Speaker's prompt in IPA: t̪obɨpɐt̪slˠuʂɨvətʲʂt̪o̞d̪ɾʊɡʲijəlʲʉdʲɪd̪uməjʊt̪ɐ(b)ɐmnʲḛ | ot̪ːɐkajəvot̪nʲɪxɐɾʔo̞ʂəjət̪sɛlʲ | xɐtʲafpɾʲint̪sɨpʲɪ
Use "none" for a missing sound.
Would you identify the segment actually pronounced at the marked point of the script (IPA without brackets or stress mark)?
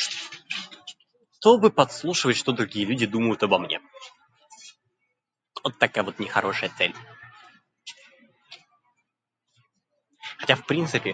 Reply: b